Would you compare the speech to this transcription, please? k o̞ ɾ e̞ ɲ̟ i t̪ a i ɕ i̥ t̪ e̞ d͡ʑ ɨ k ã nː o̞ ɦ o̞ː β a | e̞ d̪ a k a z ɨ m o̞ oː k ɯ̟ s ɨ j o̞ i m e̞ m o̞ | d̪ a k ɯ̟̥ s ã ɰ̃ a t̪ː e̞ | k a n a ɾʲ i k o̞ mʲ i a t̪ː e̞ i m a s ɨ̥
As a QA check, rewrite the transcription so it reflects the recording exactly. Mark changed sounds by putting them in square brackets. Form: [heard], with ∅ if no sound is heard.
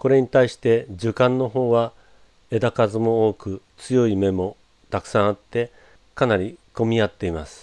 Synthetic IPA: k o̞ ɾ e̞ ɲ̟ i t̪ a i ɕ i̥ t̪ e̞ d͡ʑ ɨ k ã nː o̞ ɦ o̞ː β a | e̞ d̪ a k a z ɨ m o̞ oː k ɯ̟ [t͡s] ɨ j o̞ i m e̞ m o̞ | [t̪] a k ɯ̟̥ s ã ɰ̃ a t̪ː e̞ | k a n a ɾʲ i k o̞ mʲ i a t̪ː e̞ i m a s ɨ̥